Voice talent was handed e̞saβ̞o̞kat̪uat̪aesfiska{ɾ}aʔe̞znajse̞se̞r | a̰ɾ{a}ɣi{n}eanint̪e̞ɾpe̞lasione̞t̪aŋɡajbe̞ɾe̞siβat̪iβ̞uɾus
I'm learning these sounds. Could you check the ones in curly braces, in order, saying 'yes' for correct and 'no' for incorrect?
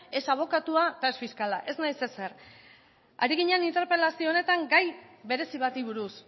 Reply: no, no, no

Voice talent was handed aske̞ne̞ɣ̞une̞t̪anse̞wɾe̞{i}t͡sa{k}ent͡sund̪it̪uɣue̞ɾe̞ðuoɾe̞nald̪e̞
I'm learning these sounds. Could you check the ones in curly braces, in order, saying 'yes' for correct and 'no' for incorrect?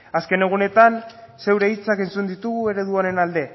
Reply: yes, yes

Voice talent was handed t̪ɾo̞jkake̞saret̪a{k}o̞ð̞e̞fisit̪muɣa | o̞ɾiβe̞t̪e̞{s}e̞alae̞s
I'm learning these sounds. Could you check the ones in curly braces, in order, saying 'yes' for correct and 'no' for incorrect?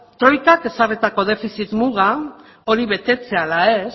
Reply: yes, no

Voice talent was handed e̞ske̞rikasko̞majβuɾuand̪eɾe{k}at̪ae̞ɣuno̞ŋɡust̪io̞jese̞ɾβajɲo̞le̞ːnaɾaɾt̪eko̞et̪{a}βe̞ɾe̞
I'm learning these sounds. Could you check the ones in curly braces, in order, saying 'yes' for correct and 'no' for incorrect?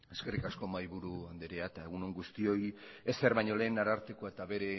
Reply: no, yes

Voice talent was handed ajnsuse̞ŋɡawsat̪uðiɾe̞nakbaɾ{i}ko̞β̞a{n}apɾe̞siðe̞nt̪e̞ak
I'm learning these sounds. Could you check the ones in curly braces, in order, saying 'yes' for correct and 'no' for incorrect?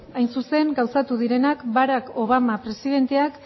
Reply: no, no

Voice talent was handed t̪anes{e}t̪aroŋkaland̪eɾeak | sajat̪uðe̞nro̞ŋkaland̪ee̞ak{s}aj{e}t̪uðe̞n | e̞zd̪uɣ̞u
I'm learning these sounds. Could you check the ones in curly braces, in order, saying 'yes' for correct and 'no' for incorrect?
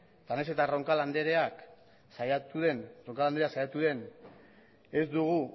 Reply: yes, yes, no

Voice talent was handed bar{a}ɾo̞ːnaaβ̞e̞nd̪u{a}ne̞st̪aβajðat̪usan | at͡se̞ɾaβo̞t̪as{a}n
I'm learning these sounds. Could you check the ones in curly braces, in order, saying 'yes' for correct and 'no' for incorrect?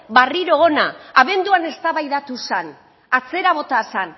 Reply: no, yes, yes

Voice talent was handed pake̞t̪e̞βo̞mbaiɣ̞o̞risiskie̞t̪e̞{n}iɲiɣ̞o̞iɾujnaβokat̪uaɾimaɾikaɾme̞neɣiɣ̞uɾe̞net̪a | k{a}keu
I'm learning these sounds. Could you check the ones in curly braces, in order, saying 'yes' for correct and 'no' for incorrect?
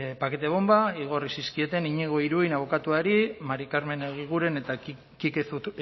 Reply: yes, no

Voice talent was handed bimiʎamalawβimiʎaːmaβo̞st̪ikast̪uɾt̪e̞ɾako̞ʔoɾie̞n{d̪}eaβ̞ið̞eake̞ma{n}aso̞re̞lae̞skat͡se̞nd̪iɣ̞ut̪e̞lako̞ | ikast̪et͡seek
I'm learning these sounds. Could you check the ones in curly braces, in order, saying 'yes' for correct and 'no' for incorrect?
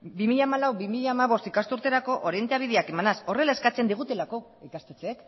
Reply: no, yes

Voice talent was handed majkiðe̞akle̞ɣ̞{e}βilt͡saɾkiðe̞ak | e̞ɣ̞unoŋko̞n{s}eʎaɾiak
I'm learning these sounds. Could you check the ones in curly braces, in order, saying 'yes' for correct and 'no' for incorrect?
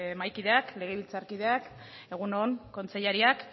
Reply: yes, no

